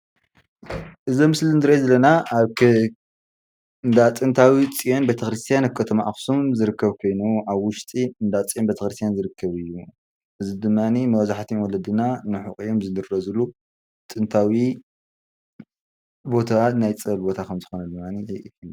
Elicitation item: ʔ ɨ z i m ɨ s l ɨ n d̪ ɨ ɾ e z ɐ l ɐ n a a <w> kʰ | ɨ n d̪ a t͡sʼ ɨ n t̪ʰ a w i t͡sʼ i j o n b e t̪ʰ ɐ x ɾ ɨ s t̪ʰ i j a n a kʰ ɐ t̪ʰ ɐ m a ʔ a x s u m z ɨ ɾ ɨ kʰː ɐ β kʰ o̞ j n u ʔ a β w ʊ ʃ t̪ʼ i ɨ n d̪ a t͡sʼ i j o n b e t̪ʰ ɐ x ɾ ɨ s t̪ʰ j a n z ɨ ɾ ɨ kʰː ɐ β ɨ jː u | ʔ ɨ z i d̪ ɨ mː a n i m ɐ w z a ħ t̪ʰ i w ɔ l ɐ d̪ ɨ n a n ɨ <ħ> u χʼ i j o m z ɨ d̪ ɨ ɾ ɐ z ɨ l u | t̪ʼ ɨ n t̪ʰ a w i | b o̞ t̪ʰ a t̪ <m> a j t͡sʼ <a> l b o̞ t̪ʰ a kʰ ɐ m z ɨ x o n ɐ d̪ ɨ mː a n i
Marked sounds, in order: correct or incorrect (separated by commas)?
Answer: incorrect, correct, incorrect, incorrect